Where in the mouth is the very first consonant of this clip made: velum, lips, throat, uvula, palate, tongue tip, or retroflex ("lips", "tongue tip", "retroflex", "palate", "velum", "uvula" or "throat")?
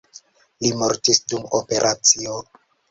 tongue tip